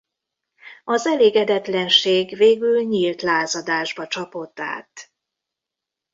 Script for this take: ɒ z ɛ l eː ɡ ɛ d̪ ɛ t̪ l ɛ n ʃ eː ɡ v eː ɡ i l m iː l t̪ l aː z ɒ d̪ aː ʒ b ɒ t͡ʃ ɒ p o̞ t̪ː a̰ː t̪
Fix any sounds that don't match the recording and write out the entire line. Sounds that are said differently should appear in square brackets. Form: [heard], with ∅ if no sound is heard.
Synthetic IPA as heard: ɒ z ɛ l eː ɡ ɛ d̪ ɛ t̪ l ɛ n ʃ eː ɡ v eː ɡ [y] l [ɲ] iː l t̪ l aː z ɒ d̪ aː ʒ b ɒ t͡ʃ ɒ p o̞ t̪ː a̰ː t̪